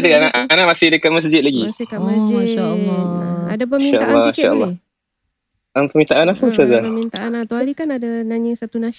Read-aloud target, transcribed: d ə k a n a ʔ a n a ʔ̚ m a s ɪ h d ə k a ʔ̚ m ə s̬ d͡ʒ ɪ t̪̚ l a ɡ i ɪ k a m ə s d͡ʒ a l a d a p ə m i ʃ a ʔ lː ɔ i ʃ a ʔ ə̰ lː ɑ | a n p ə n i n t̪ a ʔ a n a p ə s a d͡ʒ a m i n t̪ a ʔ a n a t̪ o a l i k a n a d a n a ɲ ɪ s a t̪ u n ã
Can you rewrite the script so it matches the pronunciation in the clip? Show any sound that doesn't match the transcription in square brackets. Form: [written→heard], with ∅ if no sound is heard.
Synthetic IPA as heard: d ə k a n a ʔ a n a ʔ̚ m a s ɪ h d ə k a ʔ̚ m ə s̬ d͡ʒ ɪ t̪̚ l a ɡ i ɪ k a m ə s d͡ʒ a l a d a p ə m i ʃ a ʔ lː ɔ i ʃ a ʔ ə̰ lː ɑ | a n p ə [n→m] i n t̪ a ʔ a n a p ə s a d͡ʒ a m i n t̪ a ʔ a n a t̪ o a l i k a n a d a n a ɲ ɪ s a t̪ u n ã